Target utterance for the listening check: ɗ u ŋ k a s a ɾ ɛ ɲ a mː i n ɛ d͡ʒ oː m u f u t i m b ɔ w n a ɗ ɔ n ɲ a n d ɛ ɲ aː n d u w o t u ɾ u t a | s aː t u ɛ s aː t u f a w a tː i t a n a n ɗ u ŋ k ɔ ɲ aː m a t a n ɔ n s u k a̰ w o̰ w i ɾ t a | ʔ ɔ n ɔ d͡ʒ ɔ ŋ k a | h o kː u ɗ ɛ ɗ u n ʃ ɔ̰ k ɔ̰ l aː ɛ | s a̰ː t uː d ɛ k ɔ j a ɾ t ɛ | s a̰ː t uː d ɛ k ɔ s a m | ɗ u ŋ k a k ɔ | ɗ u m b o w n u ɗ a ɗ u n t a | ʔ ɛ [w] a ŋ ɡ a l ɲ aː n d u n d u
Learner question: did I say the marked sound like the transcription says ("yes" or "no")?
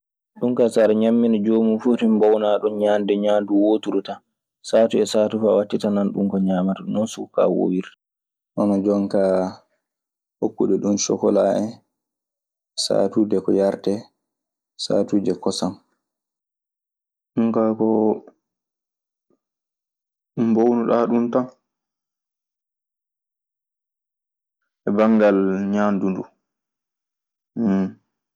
no